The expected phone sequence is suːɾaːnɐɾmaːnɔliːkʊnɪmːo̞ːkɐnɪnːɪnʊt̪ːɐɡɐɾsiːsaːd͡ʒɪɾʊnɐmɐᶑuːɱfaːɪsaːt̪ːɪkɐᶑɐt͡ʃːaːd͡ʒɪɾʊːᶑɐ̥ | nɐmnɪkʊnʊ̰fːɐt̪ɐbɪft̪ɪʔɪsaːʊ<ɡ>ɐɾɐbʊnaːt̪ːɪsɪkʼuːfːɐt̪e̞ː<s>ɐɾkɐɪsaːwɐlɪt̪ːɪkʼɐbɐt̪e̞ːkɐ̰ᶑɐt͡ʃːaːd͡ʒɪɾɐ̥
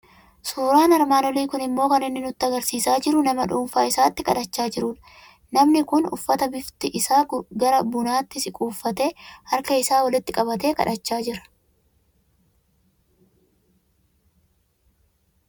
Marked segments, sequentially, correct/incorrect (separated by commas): correct, incorrect